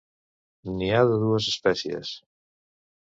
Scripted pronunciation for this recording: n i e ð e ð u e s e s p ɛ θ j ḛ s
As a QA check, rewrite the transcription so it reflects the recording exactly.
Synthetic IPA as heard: n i a ð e ð u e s e s p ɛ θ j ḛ s